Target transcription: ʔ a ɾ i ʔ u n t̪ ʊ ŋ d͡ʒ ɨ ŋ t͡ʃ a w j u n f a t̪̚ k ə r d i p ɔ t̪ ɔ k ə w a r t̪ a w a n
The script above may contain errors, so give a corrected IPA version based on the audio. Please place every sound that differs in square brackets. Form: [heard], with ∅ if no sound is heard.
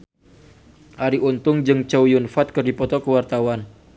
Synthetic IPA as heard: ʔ a ɾ i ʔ u n t̪ ʊ ŋ d͡ʒ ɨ ŋ t͡ʃ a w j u n f a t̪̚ k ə r d i p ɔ t̪ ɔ k ə w a r t̪ a w a n